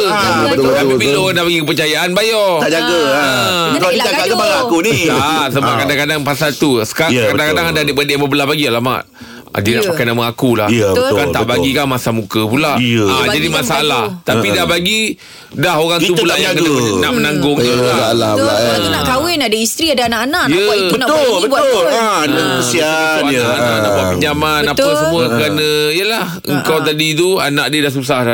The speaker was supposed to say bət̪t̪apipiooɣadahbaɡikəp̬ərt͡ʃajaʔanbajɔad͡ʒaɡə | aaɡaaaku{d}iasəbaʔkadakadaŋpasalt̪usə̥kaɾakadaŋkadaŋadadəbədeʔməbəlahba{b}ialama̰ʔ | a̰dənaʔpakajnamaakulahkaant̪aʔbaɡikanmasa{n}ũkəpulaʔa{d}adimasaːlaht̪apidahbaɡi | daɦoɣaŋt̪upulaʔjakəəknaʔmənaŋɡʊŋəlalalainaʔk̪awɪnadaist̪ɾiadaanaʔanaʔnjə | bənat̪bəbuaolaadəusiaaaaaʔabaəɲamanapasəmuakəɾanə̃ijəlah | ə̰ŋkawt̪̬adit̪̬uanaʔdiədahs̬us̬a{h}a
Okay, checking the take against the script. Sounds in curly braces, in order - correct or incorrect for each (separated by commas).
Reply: incorrect, incorrect, incorrect, incorrect, correct